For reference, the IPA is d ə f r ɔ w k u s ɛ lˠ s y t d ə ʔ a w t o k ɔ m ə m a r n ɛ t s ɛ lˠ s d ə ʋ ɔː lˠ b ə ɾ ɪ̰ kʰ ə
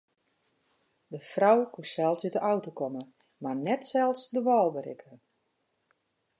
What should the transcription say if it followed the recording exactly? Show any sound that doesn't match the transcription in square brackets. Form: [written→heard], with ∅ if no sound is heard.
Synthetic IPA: d ə f r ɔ w k u s ɛ lˠ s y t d ə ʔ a w t o k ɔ m ə m a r n ɛ t s ɛ lˠ s d ə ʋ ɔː lˠ b ə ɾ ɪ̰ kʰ ə